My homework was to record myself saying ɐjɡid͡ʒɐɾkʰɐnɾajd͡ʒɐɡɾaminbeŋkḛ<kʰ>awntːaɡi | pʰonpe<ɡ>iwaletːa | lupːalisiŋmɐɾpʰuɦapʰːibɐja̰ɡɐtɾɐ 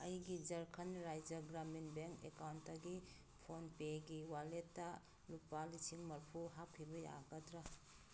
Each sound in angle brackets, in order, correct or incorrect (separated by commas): incorrect, correct